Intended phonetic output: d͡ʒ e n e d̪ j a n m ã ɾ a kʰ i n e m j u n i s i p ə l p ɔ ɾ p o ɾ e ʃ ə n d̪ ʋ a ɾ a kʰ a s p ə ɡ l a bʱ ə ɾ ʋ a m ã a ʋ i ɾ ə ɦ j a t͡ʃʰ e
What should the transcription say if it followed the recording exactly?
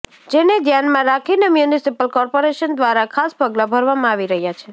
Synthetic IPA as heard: d͡ʒ e n e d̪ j a n m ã ɾ a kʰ i n e m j u n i s i p ə l k ɔ ɾ p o ɾ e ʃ ə n d̪ ʋ a ɾ a kʰ a s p ə ɡ l a bʱ ə ɾ ʋ a m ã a ʋ i ɾ ə ɦ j a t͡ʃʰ e